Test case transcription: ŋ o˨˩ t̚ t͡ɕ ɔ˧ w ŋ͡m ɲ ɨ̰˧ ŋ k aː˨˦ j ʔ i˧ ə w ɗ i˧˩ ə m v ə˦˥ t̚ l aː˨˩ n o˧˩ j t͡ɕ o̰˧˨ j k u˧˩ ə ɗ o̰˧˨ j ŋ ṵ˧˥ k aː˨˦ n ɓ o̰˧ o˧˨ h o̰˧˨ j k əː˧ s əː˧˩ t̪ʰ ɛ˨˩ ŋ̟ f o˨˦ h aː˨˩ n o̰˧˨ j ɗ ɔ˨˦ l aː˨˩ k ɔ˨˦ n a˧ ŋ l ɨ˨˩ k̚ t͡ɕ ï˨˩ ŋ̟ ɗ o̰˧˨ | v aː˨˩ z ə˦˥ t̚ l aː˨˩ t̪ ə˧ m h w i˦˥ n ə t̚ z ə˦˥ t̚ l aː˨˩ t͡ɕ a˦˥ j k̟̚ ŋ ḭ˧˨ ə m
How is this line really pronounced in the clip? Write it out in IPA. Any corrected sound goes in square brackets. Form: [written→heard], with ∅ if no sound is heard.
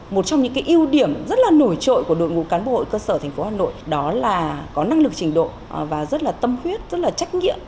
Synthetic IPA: [ŋ→m] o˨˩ t̚ t͡ɕ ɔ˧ w ŋ͡m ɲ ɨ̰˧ ŋ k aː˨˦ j ʔ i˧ ə w ɗ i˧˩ ə m [v→z] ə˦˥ t̚ l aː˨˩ n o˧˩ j t͡ɕ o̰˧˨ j k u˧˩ ə ɗ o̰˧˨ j ŋ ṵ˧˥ k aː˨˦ n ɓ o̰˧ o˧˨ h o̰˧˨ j k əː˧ s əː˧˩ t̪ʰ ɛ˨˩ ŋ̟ f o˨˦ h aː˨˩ n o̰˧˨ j ɗ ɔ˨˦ l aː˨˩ k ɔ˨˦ n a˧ ŋ l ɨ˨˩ k̚ t͡ɕ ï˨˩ ŋ̟ ɗ o̰˧˨ | v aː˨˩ z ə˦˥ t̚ l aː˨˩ t̪ ə˧ m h w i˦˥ [n→∅] ə t̚ z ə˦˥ t̚ l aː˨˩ t͡ɕ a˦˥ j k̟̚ ŋ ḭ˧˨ ə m